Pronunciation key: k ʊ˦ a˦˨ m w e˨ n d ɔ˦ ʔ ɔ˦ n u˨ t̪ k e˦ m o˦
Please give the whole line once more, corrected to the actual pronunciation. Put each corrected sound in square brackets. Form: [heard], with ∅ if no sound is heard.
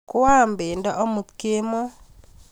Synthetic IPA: k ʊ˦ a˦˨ m [b] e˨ n d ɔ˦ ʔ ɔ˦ [m] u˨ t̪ k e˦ m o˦